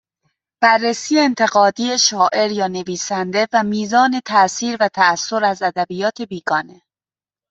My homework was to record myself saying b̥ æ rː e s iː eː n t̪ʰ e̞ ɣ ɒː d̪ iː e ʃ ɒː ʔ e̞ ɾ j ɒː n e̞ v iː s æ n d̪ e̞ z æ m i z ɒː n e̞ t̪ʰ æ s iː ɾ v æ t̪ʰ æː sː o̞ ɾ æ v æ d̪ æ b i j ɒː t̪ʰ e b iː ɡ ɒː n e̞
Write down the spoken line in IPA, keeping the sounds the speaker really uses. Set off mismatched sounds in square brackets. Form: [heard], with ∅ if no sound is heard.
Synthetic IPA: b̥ æ rː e s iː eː n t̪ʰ e̞ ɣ ɒː d̪ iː e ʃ ɒː ʔ e̞ ɾ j ɒː n e̞ v iː s æ n d̪ e̞ [v] æ m [iː] z ɒː n e̞ t̪ʰ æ s iː ɾ v æ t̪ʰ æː sː o̞ ɾ æ [z] æ d̪ æ b i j ɒː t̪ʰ e b iː ɡ ɒː n e̞

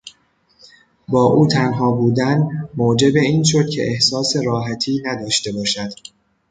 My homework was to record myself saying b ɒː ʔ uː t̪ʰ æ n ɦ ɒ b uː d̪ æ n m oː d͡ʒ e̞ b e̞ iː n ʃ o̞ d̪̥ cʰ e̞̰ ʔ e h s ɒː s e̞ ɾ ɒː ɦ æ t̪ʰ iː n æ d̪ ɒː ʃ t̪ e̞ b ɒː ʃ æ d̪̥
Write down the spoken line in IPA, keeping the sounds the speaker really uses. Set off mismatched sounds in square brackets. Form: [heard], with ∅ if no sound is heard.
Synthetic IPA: b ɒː ʔ uː t̪ʰ æ n ɦ [ɒː] b uː d̪ æ n m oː d͡ʒ e̞ b e̞ iː n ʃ o̞ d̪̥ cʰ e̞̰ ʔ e h s ɒː s e̞ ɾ ɒː ɦ æ t̪ʰ iː n æ d̪ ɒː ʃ t̪ e̞ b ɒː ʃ æ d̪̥

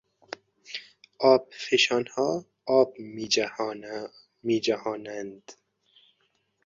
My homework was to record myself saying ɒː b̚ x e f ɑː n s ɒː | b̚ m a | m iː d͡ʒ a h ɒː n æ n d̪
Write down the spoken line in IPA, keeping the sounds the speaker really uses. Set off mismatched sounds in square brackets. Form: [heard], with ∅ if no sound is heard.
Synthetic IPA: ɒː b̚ [f] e [ʃ] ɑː n [h] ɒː | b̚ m [i] | m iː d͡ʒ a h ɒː n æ n d̪

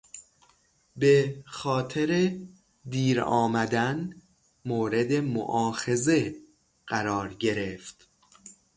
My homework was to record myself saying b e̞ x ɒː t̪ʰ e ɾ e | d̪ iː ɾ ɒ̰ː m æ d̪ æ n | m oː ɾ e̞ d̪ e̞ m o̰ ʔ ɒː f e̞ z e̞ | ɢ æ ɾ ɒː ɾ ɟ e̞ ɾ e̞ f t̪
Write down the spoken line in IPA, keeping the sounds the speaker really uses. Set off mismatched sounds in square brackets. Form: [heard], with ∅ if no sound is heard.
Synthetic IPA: b e̞ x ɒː t̪ʰ e ɾ e | d̪ iː ɾ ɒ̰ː m æ d̪ æ n | m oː ɾ e̞ d̪ e̞ m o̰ ʔ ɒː [x] e̞ z e̞ | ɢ æ ɾ ɒː ɾ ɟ e̞ ɾ e̞ f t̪

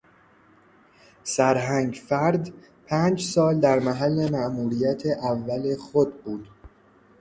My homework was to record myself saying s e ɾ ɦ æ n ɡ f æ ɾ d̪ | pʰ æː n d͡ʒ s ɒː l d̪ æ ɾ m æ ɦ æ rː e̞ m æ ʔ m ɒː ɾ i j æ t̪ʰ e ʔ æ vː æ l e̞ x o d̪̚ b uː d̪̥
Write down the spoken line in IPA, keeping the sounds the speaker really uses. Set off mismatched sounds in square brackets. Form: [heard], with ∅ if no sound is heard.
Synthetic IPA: s [æ] ɾ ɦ æ [ŋ] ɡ f æ ɾ d̪ | pʰ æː n d͡ʒ s ɒː l d̪ æ ɾ m æ ɦ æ [lː] e̞ m æ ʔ m [uː] ɾ i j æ t̪ʰ e ʔ æ vː æ l e̞ x o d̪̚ b uː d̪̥

